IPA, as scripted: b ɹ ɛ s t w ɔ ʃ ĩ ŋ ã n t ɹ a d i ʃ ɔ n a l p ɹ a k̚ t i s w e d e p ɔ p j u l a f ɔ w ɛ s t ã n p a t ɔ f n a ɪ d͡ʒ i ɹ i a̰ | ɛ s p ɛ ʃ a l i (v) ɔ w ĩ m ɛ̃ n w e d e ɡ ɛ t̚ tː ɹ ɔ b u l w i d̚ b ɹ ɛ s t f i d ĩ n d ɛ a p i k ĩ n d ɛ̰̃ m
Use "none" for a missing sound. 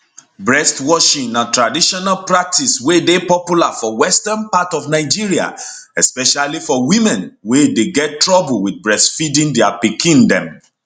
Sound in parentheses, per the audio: f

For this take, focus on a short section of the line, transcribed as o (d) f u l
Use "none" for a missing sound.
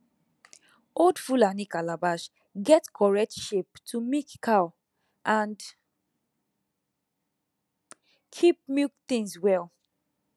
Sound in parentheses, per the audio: d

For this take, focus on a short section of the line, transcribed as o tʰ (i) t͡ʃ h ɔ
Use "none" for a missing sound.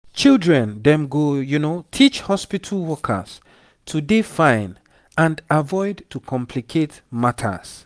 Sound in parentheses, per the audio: i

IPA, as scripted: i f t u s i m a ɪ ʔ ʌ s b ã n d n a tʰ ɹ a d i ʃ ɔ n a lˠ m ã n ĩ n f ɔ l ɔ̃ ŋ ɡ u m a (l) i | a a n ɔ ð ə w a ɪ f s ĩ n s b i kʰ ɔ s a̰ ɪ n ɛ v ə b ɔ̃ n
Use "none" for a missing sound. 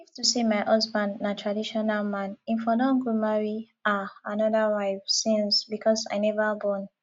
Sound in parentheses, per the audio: ɹ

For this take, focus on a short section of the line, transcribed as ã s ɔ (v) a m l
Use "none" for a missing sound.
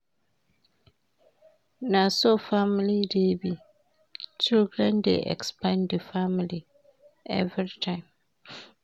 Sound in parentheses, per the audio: f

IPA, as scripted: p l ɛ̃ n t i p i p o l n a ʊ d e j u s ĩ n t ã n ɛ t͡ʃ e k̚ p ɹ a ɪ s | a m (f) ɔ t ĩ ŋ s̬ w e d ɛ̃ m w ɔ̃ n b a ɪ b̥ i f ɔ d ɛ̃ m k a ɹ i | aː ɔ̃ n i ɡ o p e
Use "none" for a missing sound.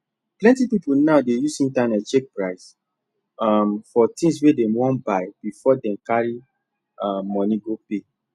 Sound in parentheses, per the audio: f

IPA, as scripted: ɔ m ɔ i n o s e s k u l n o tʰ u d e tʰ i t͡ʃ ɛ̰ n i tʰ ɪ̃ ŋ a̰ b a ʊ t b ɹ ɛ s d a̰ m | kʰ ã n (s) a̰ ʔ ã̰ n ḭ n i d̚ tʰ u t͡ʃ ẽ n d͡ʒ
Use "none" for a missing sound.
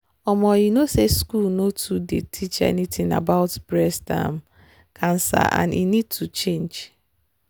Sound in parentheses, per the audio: s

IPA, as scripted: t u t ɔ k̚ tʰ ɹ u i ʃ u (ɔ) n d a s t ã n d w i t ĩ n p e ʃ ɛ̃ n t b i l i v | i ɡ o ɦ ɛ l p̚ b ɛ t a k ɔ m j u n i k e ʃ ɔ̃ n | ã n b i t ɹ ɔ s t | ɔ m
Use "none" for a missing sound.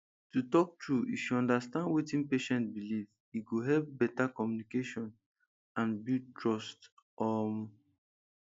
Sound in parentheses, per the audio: ɔ̃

